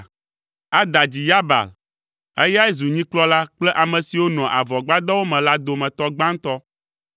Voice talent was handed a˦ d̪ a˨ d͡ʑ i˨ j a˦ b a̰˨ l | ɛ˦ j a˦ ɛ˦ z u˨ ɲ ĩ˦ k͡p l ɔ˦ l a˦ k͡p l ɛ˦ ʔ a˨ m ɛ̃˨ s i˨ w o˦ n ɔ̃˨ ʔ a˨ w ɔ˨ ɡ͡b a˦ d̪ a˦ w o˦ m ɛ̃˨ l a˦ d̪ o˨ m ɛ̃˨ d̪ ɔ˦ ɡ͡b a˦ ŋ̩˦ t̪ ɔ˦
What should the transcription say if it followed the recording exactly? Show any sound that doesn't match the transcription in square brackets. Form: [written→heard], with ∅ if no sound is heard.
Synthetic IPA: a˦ d̪ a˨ d͡ʑ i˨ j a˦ b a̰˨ l | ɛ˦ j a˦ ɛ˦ z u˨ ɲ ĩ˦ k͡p l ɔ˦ l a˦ k͡p l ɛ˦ ʔ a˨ m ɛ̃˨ s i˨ w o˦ n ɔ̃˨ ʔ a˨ [w→v] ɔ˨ ɡ͡b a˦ d̪ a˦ w o˦ m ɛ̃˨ l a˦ d̪ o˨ m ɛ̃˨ [d̪→t̪] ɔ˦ ɡ͡b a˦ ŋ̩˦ t̪ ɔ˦